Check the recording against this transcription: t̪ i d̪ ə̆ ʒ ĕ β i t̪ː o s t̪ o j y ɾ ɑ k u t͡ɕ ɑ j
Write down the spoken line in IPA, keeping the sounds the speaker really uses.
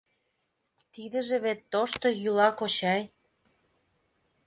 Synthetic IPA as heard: t̪ i d̪ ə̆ ʒ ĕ β e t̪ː o ʃ t̪ o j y l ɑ k o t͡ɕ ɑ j